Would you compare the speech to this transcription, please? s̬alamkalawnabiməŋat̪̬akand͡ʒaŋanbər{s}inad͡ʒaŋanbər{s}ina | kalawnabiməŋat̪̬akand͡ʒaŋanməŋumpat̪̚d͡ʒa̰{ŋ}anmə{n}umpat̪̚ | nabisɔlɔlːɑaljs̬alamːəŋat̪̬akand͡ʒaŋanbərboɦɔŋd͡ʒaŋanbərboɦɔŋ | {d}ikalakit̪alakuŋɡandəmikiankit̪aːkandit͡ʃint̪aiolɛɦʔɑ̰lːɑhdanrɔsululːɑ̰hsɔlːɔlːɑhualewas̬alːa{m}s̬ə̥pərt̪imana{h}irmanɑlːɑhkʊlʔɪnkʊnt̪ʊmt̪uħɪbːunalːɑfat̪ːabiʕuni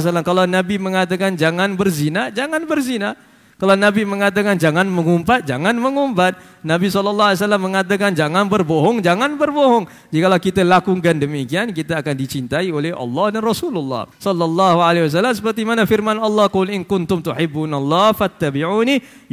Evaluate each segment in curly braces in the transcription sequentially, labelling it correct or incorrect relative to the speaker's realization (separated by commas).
incorrect, incorrect, correct, incorrect, incorrect, correct, incorrect